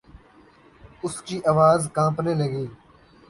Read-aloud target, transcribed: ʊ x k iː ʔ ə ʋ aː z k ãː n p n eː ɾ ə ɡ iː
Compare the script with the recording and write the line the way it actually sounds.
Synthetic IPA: ʊ s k iː ʔ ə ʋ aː z k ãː p n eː l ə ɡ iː